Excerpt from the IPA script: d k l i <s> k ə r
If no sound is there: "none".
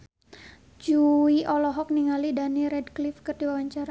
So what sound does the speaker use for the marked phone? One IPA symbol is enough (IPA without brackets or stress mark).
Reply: f